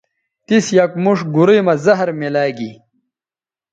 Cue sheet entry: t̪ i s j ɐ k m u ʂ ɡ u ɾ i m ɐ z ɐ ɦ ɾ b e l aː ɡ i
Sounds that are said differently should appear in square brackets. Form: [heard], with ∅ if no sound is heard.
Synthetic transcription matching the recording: t̪ i s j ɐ k m u ʂ ɡ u ɾ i m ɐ z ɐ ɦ ɾ [m] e l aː ɡ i